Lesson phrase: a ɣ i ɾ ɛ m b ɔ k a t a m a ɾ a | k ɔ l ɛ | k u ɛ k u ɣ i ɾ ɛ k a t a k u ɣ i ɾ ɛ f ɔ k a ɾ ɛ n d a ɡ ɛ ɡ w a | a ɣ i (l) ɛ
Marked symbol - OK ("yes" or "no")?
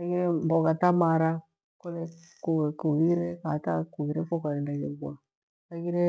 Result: no